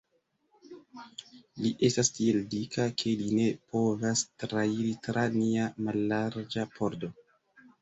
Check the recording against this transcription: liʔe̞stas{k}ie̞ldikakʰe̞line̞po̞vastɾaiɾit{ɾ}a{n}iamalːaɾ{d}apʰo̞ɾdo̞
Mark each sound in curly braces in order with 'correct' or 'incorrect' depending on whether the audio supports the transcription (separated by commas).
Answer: incorrect, correct, correct, incorrect